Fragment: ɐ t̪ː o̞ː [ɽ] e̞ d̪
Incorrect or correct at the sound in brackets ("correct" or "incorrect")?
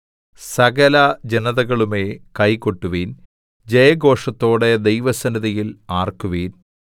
correct